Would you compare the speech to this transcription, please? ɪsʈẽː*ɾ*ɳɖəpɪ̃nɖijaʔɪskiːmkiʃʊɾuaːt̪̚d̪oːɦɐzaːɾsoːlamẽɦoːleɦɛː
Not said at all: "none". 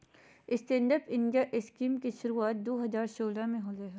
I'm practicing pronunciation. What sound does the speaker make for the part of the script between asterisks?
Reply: none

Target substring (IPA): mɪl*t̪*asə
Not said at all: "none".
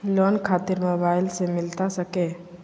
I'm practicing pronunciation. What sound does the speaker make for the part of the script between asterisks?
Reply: t̪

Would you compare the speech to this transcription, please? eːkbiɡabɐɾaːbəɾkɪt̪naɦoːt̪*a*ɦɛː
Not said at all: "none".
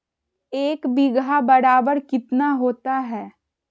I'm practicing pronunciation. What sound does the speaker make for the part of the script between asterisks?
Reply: a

